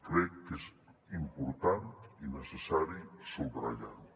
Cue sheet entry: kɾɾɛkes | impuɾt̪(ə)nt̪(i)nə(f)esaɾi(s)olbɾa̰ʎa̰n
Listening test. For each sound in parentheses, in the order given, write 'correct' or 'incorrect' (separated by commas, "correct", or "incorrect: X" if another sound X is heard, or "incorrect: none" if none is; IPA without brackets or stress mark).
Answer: incorrect: a, correct, incorrect: s, correct